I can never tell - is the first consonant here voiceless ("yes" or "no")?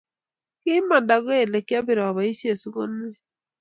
yes